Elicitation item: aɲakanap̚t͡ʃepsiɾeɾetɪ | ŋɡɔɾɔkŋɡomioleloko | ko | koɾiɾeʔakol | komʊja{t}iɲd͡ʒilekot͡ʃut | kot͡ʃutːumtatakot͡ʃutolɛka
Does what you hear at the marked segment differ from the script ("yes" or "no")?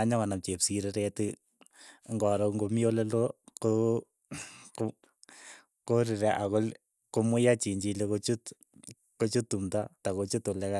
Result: yes